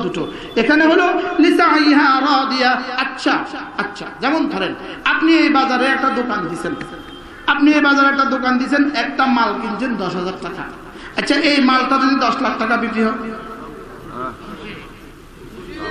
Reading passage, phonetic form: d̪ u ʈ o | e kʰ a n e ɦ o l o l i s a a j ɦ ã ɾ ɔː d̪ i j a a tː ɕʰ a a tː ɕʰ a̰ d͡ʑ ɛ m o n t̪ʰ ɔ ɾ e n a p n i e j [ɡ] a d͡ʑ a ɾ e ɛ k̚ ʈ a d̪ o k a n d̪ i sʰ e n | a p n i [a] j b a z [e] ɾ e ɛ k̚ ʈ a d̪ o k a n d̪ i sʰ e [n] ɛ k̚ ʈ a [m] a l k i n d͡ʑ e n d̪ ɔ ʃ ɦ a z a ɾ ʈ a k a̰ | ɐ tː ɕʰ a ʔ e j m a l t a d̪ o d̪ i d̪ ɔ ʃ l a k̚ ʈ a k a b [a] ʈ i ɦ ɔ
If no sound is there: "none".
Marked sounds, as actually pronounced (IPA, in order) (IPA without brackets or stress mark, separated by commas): b, e, a, n, m, i